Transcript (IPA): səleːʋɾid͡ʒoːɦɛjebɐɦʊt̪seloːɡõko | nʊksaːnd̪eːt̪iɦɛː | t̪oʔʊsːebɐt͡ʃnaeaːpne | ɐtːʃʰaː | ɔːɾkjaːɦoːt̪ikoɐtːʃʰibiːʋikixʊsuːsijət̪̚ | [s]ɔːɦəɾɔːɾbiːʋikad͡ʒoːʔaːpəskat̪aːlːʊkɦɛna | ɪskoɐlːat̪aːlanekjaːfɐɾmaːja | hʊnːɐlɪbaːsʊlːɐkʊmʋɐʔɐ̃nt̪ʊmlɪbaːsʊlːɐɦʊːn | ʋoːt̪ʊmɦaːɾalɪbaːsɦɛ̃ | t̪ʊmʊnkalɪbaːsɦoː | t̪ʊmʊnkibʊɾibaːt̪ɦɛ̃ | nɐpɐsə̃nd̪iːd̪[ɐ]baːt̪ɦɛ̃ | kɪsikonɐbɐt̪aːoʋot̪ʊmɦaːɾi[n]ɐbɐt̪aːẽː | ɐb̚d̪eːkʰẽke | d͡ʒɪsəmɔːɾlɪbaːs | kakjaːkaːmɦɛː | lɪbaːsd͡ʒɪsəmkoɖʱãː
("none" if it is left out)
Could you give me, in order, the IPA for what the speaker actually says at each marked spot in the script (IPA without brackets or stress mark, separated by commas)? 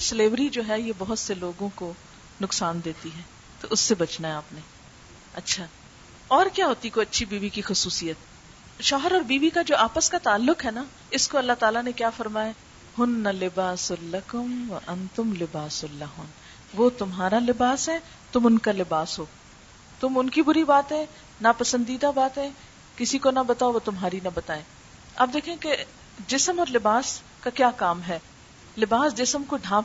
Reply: ʃ, a, n